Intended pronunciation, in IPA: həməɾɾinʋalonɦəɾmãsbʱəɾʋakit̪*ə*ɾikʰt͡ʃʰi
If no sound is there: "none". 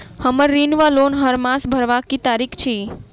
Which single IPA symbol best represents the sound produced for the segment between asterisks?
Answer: a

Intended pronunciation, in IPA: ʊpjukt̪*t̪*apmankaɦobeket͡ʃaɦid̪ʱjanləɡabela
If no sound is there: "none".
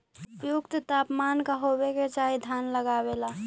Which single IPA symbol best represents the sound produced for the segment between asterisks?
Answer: t̪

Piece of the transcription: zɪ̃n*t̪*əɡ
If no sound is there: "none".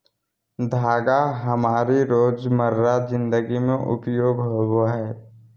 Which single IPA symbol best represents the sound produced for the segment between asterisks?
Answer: d̪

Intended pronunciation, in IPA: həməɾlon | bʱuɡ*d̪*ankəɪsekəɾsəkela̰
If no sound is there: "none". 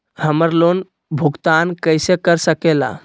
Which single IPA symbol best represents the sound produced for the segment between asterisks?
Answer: t̪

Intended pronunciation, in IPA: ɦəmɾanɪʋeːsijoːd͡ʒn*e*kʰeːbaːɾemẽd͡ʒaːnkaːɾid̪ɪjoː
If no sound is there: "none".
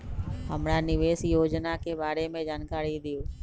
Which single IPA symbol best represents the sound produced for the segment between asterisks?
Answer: a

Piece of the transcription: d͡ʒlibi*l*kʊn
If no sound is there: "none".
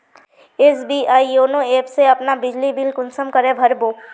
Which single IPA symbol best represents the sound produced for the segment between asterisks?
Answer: l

